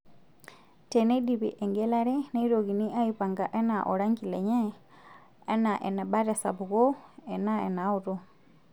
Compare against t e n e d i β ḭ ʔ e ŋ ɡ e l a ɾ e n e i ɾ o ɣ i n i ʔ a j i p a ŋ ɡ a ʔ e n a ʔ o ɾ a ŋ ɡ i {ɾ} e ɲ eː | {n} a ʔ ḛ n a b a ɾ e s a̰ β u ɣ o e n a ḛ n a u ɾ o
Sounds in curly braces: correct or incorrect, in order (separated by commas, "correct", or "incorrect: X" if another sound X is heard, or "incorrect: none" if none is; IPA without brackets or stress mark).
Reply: incorrect: l, correct